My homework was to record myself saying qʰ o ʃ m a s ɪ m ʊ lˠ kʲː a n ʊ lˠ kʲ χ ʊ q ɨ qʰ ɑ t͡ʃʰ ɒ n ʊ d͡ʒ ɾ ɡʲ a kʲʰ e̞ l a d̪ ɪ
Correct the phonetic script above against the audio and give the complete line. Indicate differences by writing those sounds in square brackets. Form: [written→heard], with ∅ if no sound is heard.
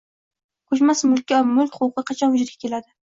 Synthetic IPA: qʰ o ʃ m a s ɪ m ʊ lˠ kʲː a [n→m] ʊ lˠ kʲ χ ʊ q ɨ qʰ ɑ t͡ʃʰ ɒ n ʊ d͡ʒ ɾ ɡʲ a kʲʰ e̞ l a d̪ ɪ